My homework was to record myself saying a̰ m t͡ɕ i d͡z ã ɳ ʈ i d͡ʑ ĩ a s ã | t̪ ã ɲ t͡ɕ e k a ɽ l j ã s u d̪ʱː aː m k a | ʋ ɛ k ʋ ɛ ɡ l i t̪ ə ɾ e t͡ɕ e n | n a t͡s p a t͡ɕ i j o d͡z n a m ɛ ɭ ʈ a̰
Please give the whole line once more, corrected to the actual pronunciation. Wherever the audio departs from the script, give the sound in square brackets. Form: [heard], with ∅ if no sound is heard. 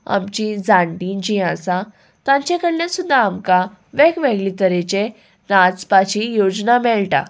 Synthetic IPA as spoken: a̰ m t͡ɕ i d͡z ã ɳ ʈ i d͡ʑ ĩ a s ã | t̪ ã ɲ t͡ɕ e k [ə] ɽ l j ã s u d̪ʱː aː m k a | ʋ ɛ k ʋ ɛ ɡ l i t̪ ə ɾ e t͡ɕ e [∅] | n a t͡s p a t͡ɕ i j o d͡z n a m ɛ ɭ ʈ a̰